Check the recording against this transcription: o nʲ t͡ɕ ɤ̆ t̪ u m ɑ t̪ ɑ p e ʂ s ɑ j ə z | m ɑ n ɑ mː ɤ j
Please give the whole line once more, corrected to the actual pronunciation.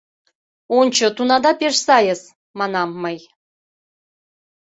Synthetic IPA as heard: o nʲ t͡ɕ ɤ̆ t̪ u n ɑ d̪ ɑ p e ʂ s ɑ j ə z | m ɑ n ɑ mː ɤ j